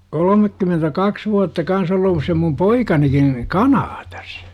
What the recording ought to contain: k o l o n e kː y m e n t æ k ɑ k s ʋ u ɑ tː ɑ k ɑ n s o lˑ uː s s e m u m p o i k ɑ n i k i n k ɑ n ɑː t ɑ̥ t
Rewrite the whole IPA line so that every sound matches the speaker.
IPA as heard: k o l o m e kː y m e n t æ k ɑ k s ʋ u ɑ tː ɑ k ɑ n s o lˑ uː s s e m u m p o i k ɑ n i k i n k ɑ n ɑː t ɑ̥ s